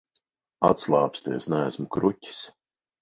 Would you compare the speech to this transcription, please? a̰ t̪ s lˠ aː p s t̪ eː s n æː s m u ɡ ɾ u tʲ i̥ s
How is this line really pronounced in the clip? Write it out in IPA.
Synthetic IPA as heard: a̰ t̪ s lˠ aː p s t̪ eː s n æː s m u k ɾ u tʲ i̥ s